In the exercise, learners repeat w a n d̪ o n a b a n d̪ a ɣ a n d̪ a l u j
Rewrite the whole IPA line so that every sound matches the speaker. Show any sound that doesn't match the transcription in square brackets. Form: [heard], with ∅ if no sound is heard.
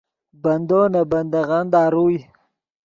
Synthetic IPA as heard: [b] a n d̪ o n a b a n d̪ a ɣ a n d̪ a [ɾ] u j